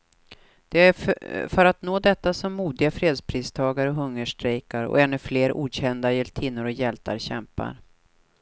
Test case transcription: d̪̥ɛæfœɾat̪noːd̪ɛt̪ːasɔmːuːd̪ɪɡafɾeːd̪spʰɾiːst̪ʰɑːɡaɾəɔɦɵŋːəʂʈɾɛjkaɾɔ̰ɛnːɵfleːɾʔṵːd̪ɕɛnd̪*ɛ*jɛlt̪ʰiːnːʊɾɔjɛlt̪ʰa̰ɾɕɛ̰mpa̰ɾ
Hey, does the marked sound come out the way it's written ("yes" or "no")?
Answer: no